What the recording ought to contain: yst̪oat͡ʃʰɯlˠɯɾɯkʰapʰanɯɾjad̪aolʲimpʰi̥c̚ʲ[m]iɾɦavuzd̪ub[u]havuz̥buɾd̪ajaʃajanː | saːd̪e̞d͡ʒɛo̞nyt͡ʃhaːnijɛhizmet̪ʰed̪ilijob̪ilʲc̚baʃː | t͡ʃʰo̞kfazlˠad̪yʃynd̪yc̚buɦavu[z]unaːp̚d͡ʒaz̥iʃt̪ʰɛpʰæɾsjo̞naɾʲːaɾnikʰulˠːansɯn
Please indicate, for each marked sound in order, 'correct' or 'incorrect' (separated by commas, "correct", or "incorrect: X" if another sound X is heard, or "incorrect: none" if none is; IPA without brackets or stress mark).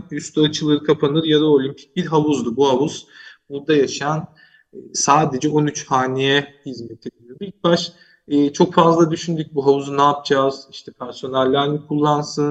incorrect: b, correct, correct